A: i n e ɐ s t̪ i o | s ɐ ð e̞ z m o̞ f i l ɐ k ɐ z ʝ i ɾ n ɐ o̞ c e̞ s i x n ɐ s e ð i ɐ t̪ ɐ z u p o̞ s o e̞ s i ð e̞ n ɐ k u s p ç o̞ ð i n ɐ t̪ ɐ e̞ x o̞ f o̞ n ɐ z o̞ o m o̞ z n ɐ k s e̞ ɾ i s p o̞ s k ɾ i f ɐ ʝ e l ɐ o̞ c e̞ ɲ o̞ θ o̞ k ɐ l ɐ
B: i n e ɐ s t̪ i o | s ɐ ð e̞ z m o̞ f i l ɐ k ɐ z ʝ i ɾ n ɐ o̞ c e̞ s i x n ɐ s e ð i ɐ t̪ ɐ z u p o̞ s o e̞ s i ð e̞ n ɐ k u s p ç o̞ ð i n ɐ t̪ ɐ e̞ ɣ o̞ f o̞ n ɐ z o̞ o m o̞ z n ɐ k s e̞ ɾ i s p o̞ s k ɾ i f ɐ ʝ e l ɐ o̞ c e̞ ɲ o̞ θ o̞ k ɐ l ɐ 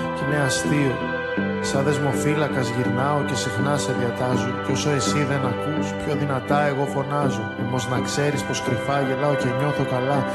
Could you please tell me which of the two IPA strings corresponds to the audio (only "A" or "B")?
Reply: B